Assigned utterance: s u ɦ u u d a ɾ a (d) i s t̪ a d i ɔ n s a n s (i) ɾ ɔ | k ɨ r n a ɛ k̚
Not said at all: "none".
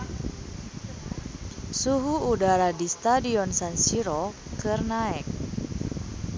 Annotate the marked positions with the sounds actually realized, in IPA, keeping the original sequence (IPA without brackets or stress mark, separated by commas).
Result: d, i